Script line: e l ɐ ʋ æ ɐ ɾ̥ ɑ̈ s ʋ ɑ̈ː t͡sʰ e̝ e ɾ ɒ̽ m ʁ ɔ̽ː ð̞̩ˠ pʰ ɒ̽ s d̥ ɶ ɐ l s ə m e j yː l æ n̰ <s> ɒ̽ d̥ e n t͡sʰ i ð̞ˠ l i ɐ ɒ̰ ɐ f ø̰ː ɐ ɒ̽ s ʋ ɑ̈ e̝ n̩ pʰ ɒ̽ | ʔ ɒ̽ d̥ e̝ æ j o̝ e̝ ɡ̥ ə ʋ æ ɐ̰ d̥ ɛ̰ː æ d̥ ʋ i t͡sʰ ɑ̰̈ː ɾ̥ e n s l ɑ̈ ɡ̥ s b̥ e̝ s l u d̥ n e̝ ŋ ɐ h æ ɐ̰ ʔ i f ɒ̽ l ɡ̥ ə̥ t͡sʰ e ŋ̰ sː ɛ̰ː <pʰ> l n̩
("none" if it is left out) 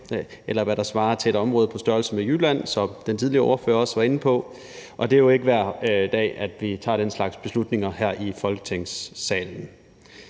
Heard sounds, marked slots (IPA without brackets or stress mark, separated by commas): s, none